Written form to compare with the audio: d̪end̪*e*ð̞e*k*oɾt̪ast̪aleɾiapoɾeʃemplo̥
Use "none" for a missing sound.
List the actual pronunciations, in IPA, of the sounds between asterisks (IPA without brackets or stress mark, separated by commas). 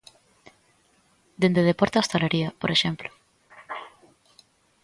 e, p